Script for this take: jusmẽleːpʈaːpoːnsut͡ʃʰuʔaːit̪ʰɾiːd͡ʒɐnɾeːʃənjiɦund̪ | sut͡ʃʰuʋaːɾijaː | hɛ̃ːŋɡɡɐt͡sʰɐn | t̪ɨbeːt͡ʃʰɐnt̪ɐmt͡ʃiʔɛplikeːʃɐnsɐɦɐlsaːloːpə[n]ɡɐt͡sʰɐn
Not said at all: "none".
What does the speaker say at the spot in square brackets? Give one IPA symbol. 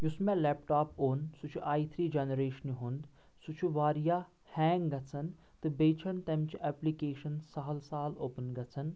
n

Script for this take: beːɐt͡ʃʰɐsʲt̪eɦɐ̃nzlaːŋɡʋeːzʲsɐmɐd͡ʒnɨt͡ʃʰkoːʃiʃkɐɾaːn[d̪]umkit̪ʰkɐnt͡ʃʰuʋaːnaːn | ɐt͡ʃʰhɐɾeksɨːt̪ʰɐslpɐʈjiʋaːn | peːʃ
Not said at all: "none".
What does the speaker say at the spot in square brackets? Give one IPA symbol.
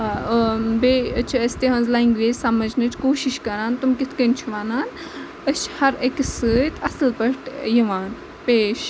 t̪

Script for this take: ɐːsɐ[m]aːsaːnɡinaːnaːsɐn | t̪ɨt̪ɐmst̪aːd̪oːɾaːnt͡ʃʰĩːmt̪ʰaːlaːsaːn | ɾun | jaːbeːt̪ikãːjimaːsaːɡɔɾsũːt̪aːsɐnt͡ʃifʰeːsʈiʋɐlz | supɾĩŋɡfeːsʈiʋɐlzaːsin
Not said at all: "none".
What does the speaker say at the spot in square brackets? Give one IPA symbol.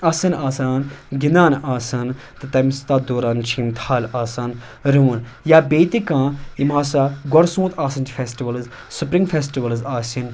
n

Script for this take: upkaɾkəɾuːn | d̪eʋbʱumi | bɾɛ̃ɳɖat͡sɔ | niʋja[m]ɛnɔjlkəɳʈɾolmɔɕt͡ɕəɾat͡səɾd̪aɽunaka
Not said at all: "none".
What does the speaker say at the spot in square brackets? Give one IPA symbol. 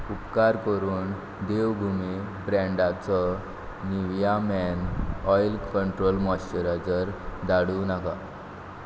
m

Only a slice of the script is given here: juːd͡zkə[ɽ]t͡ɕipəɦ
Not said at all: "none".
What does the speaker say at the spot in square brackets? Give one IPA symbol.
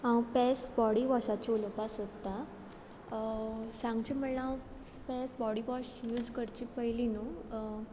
ɾ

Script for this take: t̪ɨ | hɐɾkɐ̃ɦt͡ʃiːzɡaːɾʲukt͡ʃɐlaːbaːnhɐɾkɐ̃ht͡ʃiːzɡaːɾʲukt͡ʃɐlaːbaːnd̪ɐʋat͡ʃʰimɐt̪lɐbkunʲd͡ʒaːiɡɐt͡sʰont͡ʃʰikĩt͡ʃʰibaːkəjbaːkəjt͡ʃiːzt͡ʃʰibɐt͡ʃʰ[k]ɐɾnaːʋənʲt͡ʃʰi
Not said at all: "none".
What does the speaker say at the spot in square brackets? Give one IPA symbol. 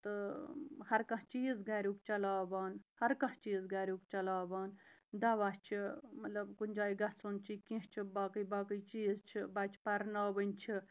p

